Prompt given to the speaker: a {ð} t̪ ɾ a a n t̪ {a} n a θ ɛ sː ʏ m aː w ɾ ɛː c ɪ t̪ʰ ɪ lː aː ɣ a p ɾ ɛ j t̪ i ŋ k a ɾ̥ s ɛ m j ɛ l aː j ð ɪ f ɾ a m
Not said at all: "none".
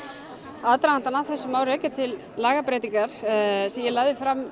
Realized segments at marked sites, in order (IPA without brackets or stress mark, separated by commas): ð, a